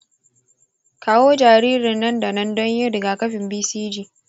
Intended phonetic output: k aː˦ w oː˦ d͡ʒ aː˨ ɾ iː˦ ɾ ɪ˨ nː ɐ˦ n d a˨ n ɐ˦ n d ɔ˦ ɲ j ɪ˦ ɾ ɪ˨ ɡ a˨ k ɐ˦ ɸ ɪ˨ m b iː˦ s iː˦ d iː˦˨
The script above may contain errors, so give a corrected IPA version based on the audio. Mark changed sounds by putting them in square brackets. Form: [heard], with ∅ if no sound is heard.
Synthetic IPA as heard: k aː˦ w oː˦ d͡ʒ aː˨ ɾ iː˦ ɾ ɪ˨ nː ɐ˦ n d a˨ n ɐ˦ n d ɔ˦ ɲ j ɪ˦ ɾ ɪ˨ ɡ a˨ k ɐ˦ ɸ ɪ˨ m b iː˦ s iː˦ [d͡ʒ] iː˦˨